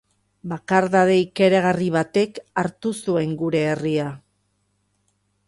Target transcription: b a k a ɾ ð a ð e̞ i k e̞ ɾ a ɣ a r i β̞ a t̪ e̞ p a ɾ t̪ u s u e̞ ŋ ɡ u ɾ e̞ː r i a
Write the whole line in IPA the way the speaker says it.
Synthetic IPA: b a k a ɾ ð a ð e̞ i k e̞ ɾ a ɣ a r i β̞ a t̪ e̞ k a ɾ t̪ u s u e̞ ŋ ɡ u ɾ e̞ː r i a